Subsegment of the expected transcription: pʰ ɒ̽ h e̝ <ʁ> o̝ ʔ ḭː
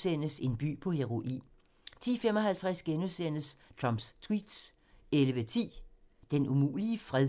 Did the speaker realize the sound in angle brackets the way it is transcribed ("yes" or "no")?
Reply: yes